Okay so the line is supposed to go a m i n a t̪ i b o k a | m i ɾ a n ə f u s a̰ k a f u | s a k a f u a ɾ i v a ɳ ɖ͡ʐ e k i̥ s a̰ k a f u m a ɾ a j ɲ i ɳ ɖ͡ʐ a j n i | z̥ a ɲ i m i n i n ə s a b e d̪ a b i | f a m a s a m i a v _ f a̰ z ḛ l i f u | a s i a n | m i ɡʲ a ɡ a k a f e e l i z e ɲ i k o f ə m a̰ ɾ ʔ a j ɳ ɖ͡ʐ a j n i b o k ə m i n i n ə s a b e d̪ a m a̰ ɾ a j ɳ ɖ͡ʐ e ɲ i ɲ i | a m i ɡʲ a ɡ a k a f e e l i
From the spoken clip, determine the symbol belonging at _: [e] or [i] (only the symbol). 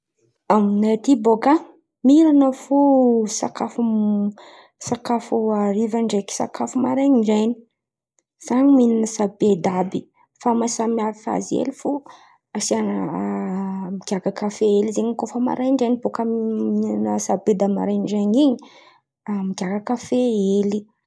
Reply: i